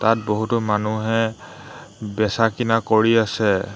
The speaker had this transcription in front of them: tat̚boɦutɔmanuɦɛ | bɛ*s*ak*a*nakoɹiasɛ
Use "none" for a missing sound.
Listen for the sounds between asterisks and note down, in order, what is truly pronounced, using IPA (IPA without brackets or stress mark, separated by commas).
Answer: s, i